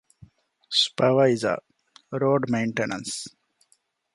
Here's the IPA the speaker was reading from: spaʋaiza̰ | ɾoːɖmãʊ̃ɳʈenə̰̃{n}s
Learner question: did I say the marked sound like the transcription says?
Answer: yes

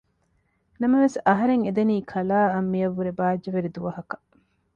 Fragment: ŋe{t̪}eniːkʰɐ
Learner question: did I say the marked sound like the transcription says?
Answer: no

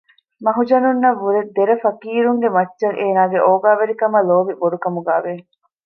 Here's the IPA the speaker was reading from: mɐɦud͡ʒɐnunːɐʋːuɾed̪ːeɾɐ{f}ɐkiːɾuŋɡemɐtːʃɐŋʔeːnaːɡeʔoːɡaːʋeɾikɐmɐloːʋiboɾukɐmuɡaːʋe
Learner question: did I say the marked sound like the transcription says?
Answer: yes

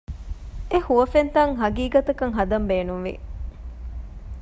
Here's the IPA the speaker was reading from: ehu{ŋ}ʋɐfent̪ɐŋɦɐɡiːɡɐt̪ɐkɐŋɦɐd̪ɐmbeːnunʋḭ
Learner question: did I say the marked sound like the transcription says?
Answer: no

